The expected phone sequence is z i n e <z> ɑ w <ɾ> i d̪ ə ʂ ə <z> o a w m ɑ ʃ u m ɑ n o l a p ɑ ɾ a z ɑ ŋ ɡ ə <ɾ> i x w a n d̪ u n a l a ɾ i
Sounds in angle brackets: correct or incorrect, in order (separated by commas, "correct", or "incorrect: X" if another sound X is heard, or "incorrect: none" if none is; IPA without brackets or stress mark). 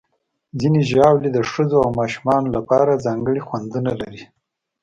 incorrect: ʒ, incorrect: l, correct, incorrect: ɽ